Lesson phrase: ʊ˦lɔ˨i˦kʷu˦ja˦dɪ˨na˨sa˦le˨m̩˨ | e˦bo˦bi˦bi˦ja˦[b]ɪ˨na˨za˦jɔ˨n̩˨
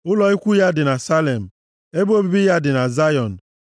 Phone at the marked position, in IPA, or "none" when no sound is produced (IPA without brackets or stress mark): d